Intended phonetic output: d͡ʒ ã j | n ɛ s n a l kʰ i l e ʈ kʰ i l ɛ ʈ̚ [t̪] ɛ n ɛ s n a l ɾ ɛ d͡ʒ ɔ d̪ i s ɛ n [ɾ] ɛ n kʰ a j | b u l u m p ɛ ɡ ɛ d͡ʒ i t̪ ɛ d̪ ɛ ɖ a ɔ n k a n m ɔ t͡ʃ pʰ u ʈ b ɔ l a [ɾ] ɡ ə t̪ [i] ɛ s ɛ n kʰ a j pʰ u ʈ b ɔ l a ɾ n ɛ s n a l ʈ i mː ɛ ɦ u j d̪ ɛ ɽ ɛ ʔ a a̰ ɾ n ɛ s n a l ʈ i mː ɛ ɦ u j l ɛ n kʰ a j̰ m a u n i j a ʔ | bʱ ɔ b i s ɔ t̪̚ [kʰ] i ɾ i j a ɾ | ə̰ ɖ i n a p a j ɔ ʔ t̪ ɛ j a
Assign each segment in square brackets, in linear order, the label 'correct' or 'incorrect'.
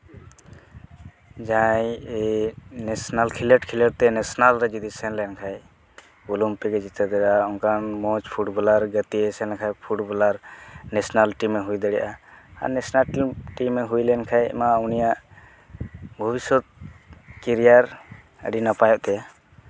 correct, incorrect: l, correct, correct, incorrect: k

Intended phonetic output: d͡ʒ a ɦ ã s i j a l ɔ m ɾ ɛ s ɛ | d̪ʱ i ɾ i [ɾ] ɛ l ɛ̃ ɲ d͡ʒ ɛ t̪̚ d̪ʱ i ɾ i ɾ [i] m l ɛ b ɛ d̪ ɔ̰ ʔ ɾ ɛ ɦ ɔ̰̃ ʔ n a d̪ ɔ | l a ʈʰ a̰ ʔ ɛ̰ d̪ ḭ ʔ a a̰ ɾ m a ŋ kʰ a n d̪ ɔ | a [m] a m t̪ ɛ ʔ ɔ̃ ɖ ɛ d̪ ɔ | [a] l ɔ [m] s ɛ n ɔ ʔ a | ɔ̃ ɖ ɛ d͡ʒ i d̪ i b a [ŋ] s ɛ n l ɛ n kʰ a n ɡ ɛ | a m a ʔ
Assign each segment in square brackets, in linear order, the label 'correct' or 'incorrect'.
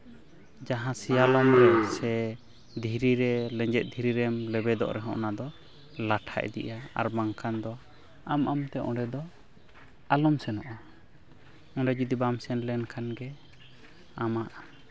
correct, incorrect: ɛ, correct, correct, correct, incorrect: m

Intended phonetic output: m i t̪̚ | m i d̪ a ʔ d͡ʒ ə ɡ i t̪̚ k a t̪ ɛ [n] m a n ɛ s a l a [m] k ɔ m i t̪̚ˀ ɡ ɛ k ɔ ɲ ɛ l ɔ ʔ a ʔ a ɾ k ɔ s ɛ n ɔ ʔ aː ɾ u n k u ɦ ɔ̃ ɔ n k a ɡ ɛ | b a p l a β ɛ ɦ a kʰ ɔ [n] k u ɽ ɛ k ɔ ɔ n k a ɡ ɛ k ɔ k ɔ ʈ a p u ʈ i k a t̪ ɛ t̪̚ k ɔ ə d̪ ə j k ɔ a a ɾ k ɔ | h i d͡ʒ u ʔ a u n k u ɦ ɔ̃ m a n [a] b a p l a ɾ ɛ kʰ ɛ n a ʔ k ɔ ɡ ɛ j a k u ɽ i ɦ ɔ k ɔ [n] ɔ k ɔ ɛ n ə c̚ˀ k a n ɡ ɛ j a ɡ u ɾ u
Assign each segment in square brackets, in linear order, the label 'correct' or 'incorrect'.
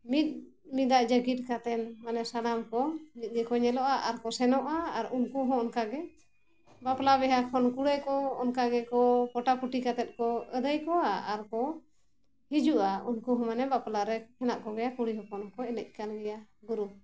correct, correct, correct, incorrect: ɛ, correct

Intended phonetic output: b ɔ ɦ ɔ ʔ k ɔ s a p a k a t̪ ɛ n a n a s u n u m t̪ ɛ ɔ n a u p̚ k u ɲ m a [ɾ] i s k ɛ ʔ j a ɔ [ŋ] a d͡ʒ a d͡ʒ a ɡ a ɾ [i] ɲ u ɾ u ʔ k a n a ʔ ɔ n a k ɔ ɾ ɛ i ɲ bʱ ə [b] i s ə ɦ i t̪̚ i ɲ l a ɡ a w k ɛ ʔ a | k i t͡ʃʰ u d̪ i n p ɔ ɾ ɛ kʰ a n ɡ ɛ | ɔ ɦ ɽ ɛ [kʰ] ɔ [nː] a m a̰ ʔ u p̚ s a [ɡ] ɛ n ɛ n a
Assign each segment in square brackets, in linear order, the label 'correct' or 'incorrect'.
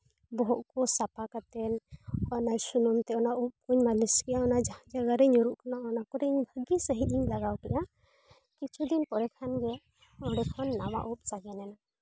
incorrect: l, incorrect: n, incorrect: ɛ, incorrect: ɡ, correct, correct, correct

